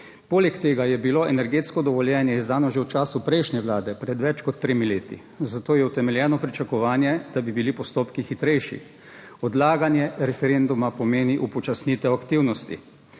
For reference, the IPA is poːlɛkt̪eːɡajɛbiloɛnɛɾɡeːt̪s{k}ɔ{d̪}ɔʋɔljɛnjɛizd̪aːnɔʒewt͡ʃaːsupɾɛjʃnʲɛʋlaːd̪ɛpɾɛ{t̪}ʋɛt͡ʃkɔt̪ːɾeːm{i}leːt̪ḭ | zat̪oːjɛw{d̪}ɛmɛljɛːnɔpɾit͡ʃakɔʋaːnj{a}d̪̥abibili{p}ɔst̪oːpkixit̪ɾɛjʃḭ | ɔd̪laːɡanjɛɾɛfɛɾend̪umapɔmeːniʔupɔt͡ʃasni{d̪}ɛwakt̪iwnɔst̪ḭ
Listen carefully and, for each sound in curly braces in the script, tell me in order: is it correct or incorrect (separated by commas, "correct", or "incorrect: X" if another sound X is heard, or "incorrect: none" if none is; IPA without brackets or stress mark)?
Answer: correct, correct, incorrect: d̪, correct, incorrect: t̪, incorrect: ɛ, correct, incorrect: t̪